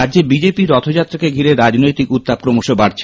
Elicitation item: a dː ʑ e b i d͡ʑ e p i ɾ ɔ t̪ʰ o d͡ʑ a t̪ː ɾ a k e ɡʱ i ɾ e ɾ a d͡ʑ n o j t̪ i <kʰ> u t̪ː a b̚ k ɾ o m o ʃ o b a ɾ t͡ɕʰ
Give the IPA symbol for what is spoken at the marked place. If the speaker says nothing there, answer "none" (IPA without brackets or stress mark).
k